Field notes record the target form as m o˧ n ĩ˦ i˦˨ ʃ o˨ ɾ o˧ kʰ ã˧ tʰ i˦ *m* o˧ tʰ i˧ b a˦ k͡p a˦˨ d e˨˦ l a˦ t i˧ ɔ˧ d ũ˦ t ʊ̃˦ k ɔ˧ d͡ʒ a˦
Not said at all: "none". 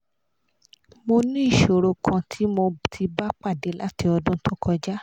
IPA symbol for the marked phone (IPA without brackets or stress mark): m